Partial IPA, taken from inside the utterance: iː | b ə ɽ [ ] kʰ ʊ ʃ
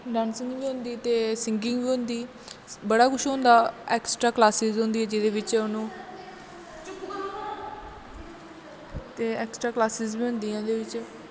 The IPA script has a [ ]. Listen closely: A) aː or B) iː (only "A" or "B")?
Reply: A